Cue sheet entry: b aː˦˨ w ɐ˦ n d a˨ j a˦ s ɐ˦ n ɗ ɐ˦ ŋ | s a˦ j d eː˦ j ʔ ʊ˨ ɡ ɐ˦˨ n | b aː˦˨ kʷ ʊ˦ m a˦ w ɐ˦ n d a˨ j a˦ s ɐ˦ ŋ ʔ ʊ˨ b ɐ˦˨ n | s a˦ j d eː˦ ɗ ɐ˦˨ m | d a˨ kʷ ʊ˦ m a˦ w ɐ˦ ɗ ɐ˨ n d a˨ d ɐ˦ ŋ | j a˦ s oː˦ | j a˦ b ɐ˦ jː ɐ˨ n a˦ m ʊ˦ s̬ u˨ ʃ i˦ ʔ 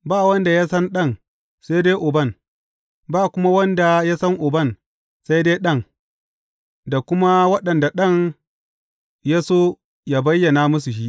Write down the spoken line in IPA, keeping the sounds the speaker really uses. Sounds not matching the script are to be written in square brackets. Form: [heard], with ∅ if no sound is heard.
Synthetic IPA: b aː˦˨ w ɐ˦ n d a˨ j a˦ s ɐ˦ n ɗ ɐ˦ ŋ | s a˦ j d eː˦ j ʔ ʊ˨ [b] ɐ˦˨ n | b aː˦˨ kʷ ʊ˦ m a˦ w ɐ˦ n d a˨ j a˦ s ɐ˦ ŋ ʔ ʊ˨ b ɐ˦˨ n | s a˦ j d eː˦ ɗ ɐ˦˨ [ŋ] | d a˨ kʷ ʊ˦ m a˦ w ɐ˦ ɗ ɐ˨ n d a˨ [ɗ] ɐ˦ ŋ | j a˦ s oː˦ | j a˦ b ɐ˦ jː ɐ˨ n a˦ m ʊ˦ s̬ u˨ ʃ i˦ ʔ

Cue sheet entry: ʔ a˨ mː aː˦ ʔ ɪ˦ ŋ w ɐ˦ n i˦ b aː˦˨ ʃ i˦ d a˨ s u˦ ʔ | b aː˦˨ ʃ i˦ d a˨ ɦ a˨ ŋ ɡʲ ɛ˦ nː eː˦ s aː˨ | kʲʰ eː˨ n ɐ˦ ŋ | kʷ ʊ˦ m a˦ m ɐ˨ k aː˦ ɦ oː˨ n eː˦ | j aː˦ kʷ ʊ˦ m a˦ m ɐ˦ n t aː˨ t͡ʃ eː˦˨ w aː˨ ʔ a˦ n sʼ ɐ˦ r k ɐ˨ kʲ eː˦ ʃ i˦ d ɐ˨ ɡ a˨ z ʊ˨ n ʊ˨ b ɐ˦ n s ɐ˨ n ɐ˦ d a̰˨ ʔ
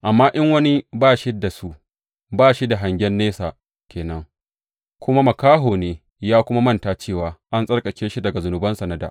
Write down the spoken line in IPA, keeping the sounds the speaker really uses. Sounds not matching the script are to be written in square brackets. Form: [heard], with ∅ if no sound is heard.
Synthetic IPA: ʔ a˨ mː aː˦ ʔ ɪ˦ ŋ w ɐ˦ n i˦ b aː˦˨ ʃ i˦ d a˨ s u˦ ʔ | b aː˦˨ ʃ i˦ d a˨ ɦ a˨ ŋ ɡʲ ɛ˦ nː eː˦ s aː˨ | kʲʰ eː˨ n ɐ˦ ŋ | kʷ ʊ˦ m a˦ m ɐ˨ k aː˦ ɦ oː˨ n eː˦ | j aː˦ kʷ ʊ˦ m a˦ m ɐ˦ n t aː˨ t͡ʃ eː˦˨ w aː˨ ʔ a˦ n sʼ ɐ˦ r [kʼ] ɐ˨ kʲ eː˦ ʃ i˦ d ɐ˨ ɡ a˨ z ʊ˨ n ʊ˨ b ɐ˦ n s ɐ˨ n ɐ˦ d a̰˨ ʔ

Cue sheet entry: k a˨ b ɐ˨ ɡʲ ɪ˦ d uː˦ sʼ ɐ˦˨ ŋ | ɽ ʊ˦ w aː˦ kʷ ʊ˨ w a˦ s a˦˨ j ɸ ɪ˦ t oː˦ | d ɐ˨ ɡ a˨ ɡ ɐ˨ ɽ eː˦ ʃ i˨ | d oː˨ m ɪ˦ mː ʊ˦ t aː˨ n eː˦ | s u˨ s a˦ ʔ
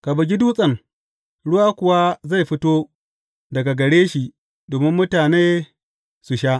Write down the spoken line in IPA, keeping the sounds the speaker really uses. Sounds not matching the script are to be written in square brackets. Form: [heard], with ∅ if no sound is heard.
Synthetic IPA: k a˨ b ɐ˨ ɡʲ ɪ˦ d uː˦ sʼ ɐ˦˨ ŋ | ɽ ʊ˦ w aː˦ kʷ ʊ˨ w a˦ [z] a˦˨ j ɸ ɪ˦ t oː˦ | d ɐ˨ ɡ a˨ ɡ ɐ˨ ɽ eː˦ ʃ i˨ | d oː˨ m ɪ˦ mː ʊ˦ t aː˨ n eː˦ | s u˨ [ʃ] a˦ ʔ

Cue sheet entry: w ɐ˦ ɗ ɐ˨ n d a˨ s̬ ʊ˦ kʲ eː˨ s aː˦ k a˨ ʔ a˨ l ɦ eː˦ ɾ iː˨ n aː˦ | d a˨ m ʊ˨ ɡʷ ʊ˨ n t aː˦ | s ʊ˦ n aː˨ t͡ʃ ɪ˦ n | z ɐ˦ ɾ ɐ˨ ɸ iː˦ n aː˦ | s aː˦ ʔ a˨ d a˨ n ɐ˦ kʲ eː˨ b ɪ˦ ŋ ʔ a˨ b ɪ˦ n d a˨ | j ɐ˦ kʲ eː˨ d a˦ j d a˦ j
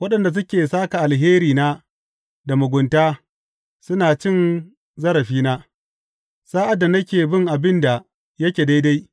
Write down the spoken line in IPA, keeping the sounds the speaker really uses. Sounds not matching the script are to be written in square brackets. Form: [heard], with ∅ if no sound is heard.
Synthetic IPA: w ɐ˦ ɗ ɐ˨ n d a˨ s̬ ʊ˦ kʲ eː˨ s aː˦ k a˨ ʔ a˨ l ɦ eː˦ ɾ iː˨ n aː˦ | d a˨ m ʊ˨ ɡʷ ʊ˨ n t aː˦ | s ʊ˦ n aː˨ t͡ʃ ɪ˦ n | z ɐ˦ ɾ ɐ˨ ɸ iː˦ n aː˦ | s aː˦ ʔ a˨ d a˨ n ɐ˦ kʲ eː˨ b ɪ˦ ŋ ʔ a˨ b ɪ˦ n d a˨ | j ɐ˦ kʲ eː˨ d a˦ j d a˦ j

